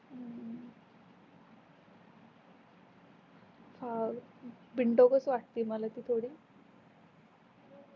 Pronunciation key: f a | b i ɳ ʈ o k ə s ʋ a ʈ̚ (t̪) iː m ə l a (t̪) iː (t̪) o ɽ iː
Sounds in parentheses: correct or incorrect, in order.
correct, correct, incorrect: t̪ʰ

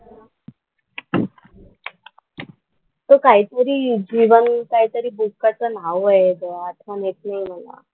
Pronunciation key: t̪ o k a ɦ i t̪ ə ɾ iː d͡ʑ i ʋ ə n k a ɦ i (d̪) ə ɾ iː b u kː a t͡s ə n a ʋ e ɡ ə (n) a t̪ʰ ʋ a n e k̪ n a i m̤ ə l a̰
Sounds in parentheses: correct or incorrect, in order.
incorrect: t̪, incorrect: none

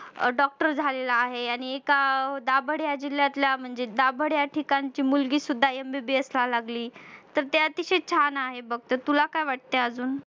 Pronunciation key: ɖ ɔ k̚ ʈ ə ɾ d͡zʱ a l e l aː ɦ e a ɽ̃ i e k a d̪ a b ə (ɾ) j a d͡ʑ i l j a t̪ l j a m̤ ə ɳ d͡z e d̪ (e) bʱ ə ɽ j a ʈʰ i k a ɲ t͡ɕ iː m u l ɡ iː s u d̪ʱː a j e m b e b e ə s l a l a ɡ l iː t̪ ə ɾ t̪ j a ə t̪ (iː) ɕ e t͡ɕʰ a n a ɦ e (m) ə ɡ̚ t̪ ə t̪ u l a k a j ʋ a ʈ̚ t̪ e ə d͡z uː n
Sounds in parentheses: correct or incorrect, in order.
incorrect: ɽ, incorrect: a, incorrect: i, incorrect: b

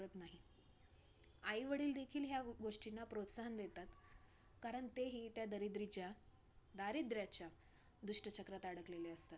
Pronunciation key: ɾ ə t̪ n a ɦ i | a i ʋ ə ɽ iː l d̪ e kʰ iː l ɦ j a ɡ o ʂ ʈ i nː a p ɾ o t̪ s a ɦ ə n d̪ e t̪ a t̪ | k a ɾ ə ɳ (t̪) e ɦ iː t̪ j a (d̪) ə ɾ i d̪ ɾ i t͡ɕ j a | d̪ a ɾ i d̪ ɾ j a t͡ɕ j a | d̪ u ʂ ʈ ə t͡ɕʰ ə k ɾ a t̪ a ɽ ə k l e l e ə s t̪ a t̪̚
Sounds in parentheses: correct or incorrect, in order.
correct, correct

